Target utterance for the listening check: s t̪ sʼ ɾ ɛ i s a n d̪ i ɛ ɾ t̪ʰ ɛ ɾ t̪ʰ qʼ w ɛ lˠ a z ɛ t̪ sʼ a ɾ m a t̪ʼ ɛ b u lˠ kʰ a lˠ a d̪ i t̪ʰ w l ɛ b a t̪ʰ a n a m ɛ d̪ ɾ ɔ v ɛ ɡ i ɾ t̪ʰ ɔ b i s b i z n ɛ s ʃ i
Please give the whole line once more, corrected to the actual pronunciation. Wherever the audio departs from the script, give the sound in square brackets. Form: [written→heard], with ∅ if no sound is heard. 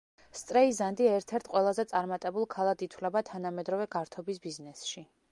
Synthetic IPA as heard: s t̪ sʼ ɾ ɛ i [s→z] a n d̪ i ɛ ɾ t̪ʰ ɛ ɾ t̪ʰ qʼ w ɛ lˠ a z ɛ t̪ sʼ a ɾ m a t̪ʼ ɛ b u lˠ kʰ a lˠ a d̪ i t̪ʰ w l ɛ b a t̪ʰ a n a m ɛ d̪ ɾ ɔ v ɛ ɡ [i→a] ɾ t̪ʰ ɔ b i s b i z n ɛ s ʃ i